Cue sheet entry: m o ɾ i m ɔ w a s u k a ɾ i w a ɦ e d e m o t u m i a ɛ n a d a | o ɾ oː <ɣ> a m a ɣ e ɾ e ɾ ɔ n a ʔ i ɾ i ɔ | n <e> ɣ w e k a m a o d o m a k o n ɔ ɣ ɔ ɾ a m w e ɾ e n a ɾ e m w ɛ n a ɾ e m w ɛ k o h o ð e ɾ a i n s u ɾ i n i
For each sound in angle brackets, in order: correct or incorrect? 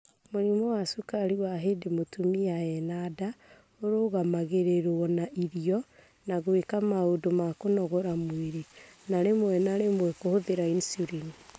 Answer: correct, incorrect: a

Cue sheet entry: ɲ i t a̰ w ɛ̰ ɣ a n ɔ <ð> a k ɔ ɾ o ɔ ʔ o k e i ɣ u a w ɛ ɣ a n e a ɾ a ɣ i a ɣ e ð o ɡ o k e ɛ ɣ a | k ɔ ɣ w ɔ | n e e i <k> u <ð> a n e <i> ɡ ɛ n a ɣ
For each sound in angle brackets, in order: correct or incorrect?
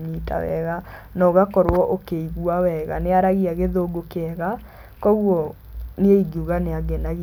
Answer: incorrect: ɣ, incorrect: ɡ, incorrect: ɣ, incorrect: a

